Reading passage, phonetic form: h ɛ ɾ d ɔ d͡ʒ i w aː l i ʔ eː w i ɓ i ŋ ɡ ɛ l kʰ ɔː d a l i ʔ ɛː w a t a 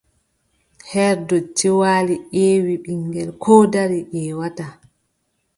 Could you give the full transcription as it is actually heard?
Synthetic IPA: h ɛ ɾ d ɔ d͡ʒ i w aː l i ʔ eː w i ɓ i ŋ ɡ ɛ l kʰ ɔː d a ɾ i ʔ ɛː w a t a